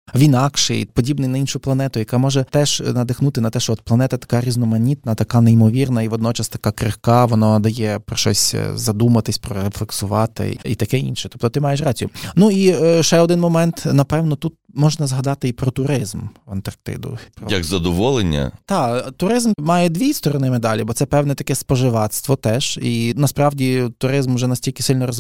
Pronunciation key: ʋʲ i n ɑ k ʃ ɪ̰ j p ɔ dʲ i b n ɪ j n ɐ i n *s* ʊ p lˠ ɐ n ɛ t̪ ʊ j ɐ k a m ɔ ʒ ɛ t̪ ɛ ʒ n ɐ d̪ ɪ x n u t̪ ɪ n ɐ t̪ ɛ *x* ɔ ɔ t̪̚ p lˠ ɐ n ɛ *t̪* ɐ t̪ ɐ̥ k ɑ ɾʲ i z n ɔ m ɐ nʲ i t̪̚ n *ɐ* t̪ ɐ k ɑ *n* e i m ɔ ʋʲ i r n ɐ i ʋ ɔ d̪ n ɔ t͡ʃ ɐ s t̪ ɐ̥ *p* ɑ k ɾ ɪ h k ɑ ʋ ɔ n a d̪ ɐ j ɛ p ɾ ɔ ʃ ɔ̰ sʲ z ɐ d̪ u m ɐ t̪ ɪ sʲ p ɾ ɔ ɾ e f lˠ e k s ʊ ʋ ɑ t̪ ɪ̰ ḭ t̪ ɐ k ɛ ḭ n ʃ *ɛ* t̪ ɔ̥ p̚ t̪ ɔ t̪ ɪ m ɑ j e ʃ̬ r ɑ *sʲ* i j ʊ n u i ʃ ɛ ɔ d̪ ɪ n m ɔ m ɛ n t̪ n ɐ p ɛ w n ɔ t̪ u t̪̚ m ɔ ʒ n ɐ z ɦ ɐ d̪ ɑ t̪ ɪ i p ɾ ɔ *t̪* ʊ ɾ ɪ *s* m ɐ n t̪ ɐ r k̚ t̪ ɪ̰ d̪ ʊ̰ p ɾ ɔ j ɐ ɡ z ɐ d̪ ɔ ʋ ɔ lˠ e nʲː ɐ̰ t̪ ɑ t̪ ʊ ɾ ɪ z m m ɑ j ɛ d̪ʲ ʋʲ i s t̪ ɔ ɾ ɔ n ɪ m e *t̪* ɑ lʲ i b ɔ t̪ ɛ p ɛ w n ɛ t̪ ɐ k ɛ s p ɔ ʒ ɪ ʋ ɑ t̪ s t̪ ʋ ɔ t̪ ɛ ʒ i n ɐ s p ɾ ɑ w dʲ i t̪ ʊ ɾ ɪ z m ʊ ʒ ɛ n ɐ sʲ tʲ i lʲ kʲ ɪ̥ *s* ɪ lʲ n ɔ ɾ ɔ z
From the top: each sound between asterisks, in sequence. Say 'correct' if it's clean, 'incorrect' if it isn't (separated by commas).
incorrect, incorrect, correct, correct, correct, incorrect, correct, incorrect, correct, incorrect, incorrect, correct